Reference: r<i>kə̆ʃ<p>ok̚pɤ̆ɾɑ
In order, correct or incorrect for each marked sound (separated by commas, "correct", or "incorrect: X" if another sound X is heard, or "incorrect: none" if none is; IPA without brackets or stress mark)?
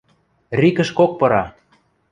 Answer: correct, incorrect: k